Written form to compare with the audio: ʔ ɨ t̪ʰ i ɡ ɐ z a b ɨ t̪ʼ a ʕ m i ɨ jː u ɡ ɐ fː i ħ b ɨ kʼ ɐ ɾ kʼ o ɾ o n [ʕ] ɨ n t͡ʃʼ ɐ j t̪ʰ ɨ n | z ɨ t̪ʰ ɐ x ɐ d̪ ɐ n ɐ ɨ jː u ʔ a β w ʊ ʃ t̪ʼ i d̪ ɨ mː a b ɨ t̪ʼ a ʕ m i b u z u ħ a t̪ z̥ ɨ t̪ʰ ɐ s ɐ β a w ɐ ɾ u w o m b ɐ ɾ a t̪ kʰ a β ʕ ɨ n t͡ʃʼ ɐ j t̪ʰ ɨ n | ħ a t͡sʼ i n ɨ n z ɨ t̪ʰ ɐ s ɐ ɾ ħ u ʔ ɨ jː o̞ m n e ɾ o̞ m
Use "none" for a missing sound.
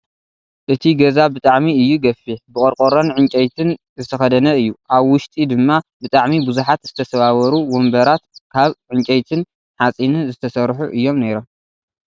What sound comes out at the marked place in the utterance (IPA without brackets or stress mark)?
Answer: ʕ